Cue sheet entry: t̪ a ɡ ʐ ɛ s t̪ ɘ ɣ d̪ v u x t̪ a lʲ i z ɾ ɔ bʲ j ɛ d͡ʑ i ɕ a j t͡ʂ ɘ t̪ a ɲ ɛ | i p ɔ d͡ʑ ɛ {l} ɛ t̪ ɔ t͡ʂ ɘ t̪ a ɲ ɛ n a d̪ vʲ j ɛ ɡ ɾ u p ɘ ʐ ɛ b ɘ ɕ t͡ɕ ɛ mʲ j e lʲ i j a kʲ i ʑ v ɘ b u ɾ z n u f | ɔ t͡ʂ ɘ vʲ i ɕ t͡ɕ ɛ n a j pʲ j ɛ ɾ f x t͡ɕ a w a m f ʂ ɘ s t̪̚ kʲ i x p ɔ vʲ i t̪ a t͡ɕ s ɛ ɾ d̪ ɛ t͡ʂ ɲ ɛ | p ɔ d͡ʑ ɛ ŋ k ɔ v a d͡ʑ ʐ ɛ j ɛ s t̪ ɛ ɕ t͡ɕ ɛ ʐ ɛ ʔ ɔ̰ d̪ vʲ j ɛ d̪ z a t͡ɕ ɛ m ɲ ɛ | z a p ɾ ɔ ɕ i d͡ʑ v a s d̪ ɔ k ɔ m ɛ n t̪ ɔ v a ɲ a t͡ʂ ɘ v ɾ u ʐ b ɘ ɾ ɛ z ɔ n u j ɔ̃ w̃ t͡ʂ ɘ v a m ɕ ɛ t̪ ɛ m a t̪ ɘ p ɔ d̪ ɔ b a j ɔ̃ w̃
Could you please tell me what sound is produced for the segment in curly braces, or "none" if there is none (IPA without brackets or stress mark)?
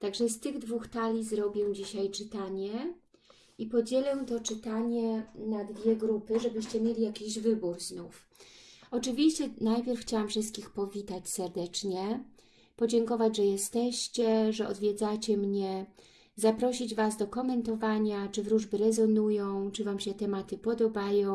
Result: l